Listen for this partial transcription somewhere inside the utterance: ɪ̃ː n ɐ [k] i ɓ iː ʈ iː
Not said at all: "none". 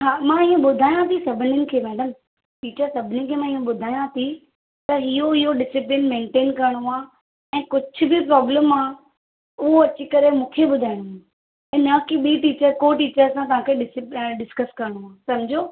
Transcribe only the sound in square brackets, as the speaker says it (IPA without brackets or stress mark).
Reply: k